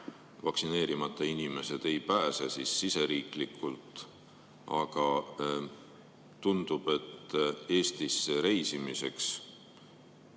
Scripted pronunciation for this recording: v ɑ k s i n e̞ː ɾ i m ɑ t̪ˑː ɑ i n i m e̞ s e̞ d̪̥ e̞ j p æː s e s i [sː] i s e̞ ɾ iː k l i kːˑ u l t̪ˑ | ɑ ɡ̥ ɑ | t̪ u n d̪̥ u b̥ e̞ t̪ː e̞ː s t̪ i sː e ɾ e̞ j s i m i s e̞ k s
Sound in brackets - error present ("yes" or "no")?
no